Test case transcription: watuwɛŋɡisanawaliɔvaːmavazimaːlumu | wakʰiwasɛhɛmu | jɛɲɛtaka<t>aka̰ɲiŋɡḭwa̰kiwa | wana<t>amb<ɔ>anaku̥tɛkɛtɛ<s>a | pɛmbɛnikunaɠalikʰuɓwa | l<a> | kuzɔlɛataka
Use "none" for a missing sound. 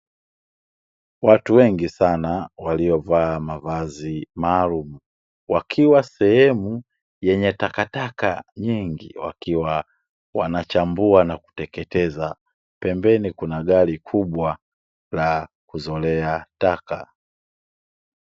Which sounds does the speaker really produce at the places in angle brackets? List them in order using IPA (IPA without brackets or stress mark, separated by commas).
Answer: t, t͡ʃ, u, z, a